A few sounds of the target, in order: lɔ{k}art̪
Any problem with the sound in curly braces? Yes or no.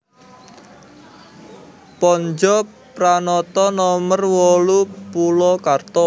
no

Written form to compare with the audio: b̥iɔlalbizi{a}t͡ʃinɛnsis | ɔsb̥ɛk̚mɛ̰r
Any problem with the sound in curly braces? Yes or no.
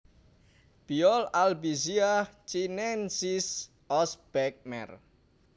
no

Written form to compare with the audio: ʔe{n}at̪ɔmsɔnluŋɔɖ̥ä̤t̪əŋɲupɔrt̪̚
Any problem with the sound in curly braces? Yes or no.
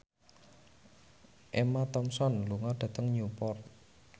yes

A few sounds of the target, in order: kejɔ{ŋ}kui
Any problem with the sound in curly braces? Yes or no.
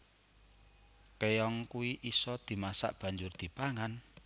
no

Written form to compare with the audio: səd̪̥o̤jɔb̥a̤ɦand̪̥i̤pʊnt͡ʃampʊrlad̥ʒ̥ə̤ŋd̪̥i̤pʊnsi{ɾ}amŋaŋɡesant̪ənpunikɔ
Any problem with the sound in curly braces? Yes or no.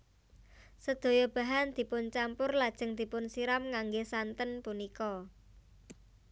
no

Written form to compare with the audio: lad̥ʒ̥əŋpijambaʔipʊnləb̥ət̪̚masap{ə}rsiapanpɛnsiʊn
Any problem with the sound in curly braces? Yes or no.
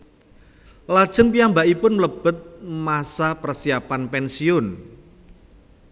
no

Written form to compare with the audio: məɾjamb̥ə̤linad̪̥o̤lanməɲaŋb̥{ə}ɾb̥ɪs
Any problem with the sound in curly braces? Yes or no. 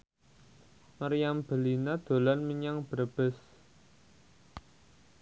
no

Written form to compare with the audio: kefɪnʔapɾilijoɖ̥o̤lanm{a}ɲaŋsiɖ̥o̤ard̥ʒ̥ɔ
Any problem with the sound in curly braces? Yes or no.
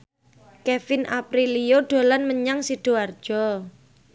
yes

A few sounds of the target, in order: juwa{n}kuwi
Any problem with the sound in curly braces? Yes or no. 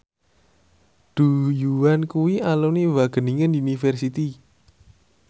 no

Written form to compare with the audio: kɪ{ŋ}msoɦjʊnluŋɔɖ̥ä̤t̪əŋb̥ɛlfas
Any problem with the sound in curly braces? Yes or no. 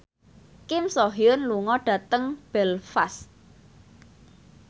yes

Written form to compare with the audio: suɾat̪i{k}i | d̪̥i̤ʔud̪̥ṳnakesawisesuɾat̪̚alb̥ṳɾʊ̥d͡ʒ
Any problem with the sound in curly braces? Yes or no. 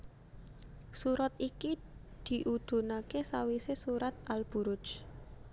no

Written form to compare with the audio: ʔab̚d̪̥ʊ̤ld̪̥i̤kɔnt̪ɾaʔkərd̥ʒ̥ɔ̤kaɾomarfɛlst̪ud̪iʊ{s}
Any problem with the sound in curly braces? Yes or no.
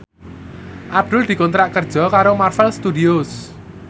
no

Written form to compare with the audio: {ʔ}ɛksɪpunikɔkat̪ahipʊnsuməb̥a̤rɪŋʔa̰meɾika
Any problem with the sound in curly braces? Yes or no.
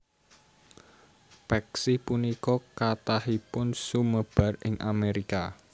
yes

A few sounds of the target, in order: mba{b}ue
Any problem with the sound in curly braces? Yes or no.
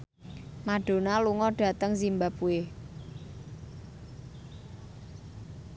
yes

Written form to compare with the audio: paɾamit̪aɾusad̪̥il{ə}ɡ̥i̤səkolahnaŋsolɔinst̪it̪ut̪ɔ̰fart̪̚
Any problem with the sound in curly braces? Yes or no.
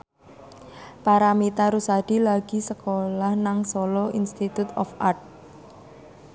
yes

